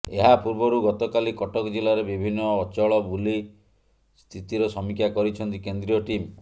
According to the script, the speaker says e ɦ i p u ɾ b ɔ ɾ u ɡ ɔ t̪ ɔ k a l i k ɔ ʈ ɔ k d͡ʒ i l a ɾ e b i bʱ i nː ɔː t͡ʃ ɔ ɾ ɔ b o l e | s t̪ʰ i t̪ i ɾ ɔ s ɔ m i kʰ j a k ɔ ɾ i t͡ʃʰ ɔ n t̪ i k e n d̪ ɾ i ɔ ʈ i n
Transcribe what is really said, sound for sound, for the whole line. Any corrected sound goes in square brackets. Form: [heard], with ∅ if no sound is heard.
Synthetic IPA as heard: e ɦ [a] p u ɾ b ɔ ɾ u ɡ ɔ t̪ ɔ k a l i k ɔ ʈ ɔ k d͡ʒ i l a ɾ e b i bʱ i nː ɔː t͡ʃ ɔ [ɭ] ɔ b [u] l [i] | s t̪ʰ i t̪ i ɾ ɔ s ɔ m i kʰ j a k ɔ ɾ i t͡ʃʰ ɔ n t̪ i k e n d̪ ɾ i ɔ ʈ i [m]